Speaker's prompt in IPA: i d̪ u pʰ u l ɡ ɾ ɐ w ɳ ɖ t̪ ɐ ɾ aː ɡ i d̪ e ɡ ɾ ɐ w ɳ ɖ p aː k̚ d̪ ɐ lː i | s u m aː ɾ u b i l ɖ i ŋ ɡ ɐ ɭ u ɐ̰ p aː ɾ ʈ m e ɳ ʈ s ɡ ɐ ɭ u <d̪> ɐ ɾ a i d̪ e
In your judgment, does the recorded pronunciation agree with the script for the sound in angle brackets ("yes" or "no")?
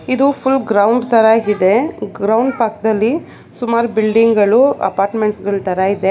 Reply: no